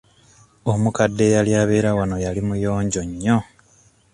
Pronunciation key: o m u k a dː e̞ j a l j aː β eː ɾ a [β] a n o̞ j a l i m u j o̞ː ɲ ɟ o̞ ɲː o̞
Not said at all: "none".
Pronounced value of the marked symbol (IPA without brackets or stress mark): w